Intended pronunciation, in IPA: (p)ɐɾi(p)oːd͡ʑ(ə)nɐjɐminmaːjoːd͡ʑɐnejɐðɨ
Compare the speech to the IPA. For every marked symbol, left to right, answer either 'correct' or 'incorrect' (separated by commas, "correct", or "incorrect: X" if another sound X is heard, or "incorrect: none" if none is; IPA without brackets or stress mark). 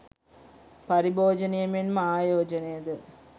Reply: correct, incorrect: b, incorrect: ɐ